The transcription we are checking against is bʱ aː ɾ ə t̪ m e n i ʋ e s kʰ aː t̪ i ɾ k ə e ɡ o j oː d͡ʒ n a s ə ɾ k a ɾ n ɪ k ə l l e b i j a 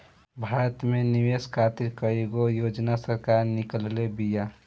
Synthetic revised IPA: bʱ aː ɾ ə t̪ m e n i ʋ e s kʰ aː t̪ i ɾ k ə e ɡ o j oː d͡ʒ n a s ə ɾ k a ɾ n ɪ k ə l l e b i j a